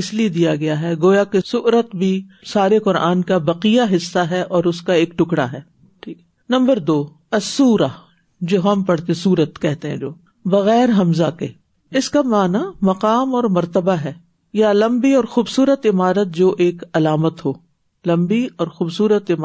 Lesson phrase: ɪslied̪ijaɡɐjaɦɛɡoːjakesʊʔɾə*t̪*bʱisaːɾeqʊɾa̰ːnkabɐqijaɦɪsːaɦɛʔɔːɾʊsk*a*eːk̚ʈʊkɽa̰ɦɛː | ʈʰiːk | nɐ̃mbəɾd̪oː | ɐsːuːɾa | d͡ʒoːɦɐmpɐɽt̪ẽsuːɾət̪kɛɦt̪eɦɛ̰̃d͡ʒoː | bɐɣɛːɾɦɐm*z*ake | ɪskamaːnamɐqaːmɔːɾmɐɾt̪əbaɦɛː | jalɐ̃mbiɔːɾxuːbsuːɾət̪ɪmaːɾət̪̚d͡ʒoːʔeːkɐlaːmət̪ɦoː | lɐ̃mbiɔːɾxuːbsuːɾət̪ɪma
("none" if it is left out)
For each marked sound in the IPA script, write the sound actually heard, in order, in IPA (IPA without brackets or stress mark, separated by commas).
t̪, a, z